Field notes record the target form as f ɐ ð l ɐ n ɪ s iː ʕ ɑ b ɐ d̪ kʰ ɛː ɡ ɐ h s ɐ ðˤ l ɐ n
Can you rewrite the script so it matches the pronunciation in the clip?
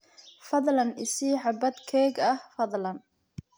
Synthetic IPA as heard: f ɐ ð l ɐ n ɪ s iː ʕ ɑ b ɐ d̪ kʰ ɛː ɡ ɐ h f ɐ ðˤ l ɐ n